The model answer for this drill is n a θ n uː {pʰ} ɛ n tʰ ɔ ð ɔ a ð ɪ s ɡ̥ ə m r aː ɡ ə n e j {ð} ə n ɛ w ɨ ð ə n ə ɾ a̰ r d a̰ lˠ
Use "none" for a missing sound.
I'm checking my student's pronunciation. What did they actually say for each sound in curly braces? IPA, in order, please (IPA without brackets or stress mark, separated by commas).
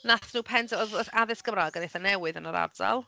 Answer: pʰ, θ